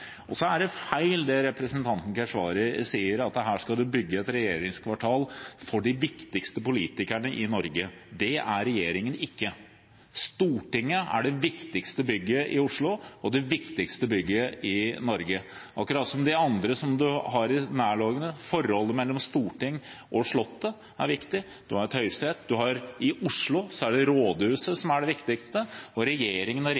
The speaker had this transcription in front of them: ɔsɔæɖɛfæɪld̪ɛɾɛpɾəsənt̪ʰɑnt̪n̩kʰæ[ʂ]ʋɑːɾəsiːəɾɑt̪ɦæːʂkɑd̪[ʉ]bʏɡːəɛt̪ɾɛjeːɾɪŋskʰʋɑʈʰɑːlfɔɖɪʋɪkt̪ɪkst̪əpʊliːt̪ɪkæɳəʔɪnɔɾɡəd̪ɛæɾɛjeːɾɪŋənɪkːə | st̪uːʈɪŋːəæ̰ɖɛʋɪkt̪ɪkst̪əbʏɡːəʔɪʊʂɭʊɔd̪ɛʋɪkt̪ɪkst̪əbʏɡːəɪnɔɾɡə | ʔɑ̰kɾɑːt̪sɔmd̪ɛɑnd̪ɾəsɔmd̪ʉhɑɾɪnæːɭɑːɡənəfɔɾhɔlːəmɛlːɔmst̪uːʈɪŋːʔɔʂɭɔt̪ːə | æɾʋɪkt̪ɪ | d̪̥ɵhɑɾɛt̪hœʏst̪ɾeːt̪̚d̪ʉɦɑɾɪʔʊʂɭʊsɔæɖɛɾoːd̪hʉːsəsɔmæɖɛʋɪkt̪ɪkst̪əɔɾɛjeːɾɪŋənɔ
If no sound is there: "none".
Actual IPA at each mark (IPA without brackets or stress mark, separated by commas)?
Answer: ʂ, ʉ